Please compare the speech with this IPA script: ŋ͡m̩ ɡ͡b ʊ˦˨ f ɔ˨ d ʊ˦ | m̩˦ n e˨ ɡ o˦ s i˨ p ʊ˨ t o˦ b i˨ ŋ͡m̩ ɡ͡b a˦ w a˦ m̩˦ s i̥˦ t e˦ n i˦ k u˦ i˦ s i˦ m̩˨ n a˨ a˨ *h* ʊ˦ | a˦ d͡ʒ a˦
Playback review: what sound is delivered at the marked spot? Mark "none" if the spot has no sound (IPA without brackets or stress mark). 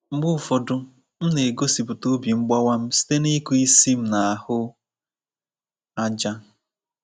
h